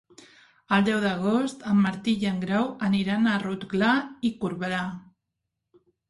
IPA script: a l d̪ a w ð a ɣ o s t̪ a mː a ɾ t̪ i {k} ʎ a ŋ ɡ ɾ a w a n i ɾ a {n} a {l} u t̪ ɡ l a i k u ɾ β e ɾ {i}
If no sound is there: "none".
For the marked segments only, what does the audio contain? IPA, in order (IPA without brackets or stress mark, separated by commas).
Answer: none, n, r, a